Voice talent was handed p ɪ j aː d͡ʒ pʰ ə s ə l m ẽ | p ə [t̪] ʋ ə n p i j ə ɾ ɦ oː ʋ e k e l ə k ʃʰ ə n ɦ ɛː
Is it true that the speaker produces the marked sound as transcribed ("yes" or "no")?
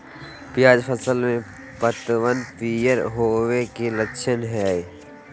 yes